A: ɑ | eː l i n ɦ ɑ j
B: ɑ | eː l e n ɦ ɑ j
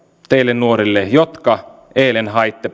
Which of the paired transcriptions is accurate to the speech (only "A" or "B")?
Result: B